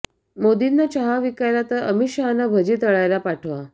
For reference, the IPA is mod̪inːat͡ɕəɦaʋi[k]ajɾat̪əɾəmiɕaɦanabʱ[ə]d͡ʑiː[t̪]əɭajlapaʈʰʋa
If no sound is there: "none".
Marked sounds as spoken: k, ə, t̪

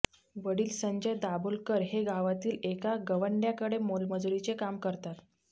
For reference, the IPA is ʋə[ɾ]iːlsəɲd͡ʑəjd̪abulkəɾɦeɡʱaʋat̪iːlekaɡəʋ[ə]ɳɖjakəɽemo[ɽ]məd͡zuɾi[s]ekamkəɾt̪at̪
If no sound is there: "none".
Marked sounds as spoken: ɽ, ə, l, t͡s

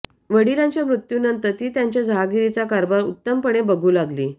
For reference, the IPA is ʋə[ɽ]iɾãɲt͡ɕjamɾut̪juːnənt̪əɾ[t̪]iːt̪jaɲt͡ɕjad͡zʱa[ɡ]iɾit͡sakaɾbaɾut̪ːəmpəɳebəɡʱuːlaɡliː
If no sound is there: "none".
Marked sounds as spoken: ɽ, t̪, ɡ

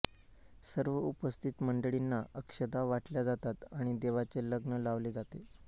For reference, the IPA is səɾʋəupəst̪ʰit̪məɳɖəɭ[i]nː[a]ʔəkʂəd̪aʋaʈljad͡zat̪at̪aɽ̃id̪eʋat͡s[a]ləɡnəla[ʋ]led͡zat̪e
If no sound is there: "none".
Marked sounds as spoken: i, a, e, ʋ

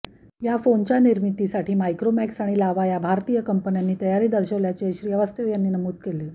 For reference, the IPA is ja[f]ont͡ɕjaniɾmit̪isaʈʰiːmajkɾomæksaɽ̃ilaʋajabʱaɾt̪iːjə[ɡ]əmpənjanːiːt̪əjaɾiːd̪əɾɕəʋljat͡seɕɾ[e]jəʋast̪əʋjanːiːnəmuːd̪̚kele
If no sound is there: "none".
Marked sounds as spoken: f, k, i

